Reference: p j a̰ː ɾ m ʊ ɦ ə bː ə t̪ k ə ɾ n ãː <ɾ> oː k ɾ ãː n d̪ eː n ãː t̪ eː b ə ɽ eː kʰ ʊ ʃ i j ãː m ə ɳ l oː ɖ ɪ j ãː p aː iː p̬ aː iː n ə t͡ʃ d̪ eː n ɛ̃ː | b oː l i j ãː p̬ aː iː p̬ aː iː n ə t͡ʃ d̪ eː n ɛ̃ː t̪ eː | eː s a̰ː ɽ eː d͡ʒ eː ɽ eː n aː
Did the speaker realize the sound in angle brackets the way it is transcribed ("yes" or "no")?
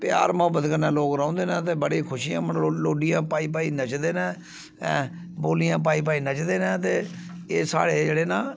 no